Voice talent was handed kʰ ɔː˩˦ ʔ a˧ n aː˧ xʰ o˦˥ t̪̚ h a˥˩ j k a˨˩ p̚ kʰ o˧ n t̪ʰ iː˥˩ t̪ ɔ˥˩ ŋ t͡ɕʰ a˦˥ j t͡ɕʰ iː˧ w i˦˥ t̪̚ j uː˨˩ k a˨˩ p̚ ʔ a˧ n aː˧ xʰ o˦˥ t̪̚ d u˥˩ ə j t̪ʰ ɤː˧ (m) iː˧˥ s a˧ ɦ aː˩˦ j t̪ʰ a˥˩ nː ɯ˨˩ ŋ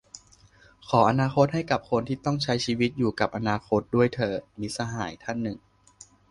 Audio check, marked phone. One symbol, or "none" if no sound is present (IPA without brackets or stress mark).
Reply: m